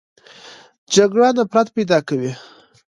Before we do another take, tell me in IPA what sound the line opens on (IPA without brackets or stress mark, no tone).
d͡ʒ